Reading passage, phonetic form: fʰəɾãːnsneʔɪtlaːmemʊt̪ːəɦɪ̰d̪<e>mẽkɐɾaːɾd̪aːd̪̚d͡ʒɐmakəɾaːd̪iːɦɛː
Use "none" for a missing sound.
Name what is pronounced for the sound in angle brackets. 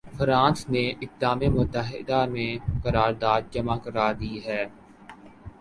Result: a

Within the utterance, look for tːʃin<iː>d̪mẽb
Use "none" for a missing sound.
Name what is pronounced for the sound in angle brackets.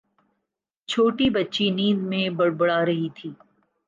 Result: iː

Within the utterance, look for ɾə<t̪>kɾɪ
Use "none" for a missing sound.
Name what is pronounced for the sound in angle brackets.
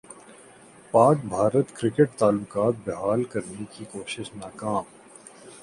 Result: t̪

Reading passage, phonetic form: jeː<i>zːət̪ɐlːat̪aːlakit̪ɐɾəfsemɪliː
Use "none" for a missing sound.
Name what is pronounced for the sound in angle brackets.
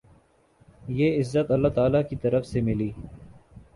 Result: ɪ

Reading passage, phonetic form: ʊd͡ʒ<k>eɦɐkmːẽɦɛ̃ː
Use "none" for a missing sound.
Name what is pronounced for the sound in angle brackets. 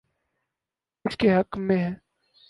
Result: k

